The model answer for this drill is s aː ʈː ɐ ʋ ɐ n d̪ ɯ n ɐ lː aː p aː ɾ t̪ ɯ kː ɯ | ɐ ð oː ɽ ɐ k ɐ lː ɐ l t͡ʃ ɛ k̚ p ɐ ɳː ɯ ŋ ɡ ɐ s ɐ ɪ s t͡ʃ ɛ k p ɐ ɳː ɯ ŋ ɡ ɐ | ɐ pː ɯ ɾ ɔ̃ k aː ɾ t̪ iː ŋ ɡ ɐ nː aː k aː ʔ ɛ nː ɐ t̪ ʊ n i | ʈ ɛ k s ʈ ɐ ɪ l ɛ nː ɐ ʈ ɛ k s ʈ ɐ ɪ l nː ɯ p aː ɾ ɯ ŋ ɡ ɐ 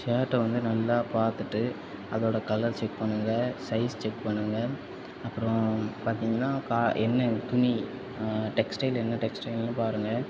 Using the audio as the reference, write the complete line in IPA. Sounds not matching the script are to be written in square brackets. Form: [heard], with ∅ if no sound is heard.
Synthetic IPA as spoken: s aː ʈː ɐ ʋ ɐ n d̪ ɯ n ɐ lː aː p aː ɾ t̪ ɯ [ʈː] ɯ | ɐ ð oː ɽ ɐ k ɐ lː ɐ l t͡ʃ ɛ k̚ p ɐ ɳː ɯ ŋ ɡ ɐ s ɐ ɪ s t͡ʃ ɛ k p ɐ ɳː ɯ ŋ ɡ ɐ | ɐ pː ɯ ɾ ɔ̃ [p] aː ɾ t̪ iː ŋ ɡ ɐ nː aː k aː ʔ ɛ nː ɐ t̪ ʊ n i | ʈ ɛ k s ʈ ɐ ɪ l ɛ nː ɐ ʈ ɛ k s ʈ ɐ ɪ l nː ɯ p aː ɾ ɯ ŋ ɡ ɐ